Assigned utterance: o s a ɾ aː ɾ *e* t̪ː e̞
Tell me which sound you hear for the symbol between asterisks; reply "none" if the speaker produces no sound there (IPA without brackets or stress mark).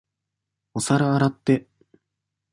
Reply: a